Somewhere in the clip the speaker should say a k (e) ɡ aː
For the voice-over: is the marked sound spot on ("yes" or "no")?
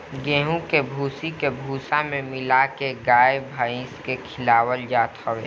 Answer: yes